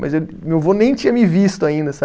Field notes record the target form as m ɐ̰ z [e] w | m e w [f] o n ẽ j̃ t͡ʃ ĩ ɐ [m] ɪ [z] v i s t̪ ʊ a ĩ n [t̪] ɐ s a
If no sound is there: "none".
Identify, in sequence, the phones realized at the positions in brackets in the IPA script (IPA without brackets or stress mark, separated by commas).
e, v, m, none, d̪